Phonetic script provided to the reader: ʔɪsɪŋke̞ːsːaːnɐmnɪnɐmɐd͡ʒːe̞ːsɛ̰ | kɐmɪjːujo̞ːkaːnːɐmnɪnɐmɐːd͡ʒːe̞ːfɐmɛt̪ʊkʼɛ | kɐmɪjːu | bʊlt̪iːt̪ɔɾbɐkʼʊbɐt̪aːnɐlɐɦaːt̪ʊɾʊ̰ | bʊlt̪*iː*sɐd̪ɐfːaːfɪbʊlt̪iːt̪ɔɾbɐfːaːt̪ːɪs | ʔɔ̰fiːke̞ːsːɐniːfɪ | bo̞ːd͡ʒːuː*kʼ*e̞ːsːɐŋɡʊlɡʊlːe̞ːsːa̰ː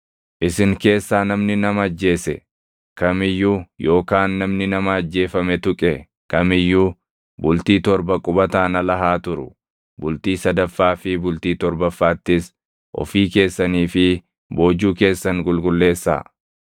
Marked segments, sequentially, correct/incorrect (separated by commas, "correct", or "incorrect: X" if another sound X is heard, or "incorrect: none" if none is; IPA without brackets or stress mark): correct, incorrect: k